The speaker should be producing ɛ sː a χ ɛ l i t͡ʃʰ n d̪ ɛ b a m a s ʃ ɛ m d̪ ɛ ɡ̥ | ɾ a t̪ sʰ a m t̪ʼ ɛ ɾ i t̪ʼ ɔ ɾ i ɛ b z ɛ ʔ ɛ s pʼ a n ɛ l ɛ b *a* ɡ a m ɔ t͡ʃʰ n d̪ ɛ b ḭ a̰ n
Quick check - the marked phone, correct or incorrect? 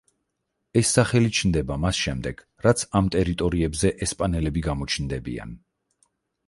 incorrect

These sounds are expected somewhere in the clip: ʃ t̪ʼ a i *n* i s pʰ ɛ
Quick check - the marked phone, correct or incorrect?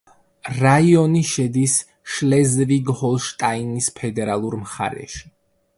correct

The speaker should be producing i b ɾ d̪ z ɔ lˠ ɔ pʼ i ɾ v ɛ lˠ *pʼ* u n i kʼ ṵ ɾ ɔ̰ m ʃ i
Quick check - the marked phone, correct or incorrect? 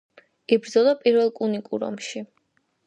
incorrect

